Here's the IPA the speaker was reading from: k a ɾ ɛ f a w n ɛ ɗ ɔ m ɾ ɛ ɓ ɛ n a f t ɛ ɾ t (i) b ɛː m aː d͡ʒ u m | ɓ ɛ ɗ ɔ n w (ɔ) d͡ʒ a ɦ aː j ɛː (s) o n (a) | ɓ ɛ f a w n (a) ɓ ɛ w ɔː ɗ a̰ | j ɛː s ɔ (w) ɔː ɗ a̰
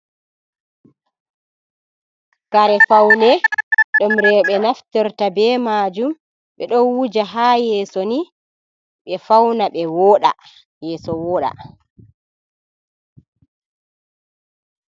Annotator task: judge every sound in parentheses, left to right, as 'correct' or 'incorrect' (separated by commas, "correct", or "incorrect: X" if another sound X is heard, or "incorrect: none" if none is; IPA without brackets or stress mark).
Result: incorrect: a, incorrect: u, correct, incorrect: i, correct, correct